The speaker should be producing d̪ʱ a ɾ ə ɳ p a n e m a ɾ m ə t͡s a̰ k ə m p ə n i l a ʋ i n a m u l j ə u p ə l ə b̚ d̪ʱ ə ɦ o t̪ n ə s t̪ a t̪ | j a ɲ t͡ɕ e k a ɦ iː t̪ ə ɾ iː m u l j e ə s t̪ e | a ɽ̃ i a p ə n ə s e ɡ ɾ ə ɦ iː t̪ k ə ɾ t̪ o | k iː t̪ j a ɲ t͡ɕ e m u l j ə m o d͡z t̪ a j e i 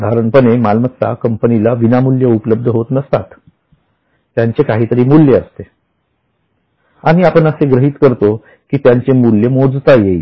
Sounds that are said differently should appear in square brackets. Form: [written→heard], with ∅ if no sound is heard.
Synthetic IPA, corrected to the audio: d̪ʱ a ɾ ə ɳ p [a→ə] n e m a [ɾ→l] m ə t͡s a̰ k ə m p ə n i l a ʋ i n a m u l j ə u p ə l ə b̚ d̪ʱ ə ɦ o t̪ n ə s t̪ a t̪ | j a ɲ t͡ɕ e k a ɦ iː t̪ ə ɾ iː m u l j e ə s t̪ e | a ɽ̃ i a p ə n ə s e ɡ ɾ ə ɦ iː t̪ k ə ɾ t̪ o | k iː t̪ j a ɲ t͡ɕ e m u l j ə m o d͡z t̪ a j e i

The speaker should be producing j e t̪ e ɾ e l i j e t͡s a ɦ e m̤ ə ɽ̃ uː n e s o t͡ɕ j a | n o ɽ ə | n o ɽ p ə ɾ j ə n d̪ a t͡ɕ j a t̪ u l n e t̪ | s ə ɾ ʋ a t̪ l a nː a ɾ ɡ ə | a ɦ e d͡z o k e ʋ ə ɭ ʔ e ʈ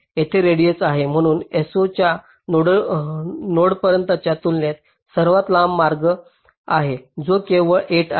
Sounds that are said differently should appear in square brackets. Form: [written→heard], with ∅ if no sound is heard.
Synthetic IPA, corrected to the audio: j e [t̪→t̪ʰ] e ɾ e [l→ɽ] i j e t͡s a ɦ e m̤ ə ɽ̃ uː n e s o t͡ɕ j a | n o ɽ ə | n o ɽ p ə ɾ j ə n [d̪→t̪] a t͡ɕ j a t̪ u l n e t̪ | s ə ɾ ʋ a t̪ l a [nː→mː] a ɾ ɡ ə | a ɦ e d͡z o k e ʋ ə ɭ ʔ e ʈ

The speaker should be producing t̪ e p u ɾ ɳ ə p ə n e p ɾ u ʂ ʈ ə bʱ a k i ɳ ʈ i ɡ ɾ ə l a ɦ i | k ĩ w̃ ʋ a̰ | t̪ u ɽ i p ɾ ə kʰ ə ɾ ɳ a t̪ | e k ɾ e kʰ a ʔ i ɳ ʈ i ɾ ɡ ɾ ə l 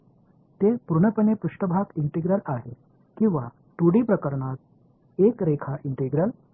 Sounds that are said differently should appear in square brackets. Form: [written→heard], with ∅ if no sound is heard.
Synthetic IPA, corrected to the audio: t̪ e p u ɾ ɳ ə p ə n e p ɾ u ʂ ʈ ə bʱ a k i ɳ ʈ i ɡ ɾ ə l a ɦ [i→e] | k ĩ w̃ ʋ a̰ | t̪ u ɽ i p ɾ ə [kʰ→k] ə ɾ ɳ a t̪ | e k ɾ e kʰ a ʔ i ɳ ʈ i [ɾ→∅] ɡ ɾ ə l

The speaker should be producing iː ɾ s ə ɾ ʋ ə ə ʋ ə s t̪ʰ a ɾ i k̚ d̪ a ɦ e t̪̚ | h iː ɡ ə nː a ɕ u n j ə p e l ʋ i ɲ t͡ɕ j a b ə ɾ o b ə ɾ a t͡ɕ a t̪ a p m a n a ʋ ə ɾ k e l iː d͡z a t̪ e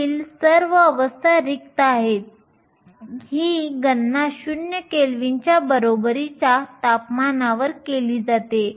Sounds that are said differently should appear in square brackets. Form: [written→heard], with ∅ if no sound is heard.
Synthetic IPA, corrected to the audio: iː [ɾ→l] s ə ɾ ʋ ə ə ʋ ə s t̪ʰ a ɾ i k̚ [d̪→t̪] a ɦ e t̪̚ | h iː ɡ ə nː a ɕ u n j ə [p→k] e l ʋ i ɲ t͡ɕ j a b ə ɾ o b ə ɾ [a→i] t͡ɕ a t̪ a p m a n a ʋ ə ɾ k e l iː d͡z a t̪ e

